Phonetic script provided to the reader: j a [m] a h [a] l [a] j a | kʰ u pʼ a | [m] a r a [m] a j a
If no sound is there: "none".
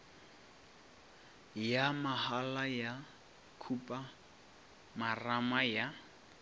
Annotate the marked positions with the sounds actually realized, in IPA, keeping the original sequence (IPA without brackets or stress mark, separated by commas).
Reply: m, a, a, m, m